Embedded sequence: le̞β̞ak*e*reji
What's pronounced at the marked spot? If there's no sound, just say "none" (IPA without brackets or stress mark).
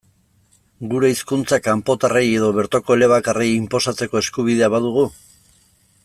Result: a